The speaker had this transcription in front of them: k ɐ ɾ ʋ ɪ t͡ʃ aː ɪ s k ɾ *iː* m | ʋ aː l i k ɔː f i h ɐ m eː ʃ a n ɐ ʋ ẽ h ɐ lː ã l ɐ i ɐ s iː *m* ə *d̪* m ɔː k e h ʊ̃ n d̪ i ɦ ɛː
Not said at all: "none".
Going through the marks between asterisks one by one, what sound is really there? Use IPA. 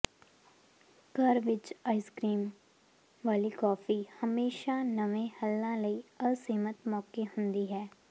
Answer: iː, m, t̪

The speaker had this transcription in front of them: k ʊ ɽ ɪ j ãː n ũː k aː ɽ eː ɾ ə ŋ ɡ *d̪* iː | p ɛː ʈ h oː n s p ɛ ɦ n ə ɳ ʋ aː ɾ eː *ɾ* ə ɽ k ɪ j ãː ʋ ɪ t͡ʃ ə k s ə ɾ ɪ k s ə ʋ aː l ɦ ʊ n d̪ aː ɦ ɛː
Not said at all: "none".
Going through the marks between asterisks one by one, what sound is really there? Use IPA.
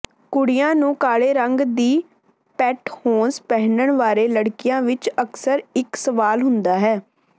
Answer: d̪, l

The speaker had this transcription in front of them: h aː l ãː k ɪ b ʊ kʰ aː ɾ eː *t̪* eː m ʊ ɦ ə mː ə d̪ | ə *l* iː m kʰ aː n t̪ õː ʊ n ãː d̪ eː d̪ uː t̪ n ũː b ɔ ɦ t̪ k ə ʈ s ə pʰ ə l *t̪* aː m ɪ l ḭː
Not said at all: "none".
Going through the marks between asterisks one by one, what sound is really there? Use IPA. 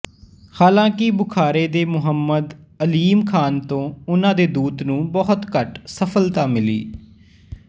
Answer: d̪, l, t̪

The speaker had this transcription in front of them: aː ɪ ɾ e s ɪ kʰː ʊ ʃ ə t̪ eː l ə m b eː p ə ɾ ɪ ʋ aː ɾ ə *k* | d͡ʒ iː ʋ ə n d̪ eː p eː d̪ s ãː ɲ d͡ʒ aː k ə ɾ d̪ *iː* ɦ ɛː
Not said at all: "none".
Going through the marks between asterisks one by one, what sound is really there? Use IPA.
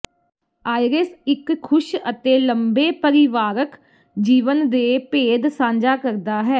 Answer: k, aː

